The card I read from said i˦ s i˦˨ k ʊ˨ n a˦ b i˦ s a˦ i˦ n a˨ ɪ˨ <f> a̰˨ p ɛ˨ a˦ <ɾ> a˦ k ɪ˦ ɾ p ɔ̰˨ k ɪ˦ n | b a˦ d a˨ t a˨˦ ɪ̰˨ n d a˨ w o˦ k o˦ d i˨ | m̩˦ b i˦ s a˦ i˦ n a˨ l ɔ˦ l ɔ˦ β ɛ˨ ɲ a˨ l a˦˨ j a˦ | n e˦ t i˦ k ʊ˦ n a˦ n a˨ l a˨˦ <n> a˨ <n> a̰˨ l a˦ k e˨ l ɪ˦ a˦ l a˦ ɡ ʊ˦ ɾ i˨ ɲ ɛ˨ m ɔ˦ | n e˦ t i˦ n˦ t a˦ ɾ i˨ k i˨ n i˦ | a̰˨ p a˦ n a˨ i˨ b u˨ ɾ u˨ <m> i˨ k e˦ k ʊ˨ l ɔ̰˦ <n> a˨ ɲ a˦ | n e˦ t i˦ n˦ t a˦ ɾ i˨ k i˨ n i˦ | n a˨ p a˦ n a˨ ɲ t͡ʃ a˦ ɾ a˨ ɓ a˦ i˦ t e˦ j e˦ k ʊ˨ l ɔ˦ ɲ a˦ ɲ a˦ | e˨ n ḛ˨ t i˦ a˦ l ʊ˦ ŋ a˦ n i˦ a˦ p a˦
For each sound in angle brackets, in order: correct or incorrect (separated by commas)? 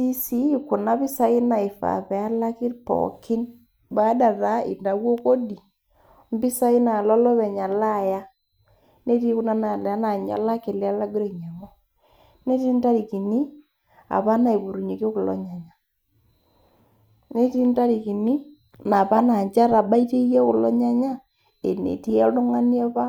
correct, incorrect, correct, incorrect, incorrect, incorrect